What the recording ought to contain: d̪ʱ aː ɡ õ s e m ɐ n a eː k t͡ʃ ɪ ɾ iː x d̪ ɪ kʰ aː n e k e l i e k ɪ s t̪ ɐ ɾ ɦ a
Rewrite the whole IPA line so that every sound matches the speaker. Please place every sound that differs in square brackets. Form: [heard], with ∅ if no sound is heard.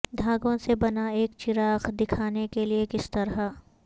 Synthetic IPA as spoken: d̪ʱ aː ɡ õ s e [b] ɐ n a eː k t͡ʃ ɪ ɾ [aː] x d̪ ɪ kʰ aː n e k e l i e k ɪ s t̪ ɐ ɾ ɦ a